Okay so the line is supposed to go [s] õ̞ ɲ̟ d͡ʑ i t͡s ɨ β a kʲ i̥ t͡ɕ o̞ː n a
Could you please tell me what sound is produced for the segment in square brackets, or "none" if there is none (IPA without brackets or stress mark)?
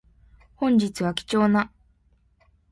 h